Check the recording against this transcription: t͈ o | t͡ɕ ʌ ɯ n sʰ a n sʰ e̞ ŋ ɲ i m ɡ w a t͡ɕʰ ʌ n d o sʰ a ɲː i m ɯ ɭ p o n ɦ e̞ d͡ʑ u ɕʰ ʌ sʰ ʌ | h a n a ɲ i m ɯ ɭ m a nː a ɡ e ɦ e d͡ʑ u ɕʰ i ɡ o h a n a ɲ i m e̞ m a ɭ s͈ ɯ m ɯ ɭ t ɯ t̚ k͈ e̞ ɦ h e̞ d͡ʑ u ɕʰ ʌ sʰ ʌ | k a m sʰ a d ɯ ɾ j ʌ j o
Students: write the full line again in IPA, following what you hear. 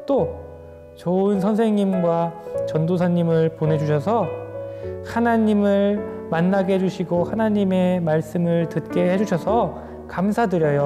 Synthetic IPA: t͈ o | t͡ɕ ʌ ɯ n sʰ ʌ n sʰ e̞ ŋ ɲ i m ɡ w a t͡ɕ ʌ n d o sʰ a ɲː i m ɯ ɭ p o n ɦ e̞ d͡ʑ u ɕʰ ʌ sʰ ʌ | h a n a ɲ i m ɯ ɭ m a nː a ɡ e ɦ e d͡ʑ u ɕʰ i ɡ o h a n a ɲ i m e̞ m a ɭ s͈ ɯ m ɯ ɭ t ɯ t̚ k͈ e̞ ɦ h e̞ d͡ʑ u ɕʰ ʌ sʰ ʌ | k a m sʰ a d ɯ ɾ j ʌ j o